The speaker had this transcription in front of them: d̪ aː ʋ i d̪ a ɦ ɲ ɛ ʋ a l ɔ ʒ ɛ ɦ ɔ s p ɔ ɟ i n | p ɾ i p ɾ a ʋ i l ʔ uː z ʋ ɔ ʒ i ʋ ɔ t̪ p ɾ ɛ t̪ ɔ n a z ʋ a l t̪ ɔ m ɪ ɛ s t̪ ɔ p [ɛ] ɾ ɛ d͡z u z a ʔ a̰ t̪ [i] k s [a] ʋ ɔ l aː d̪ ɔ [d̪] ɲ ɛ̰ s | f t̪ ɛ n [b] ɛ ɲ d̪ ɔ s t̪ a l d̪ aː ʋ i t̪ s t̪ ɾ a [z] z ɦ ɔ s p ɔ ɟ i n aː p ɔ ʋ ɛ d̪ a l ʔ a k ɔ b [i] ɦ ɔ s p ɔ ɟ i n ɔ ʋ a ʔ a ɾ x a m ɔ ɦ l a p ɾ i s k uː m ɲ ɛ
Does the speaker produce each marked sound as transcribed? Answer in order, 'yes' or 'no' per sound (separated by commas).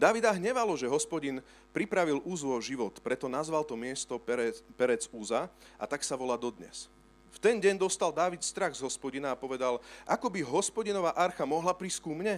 yes, no, yes, yes, no, no, yes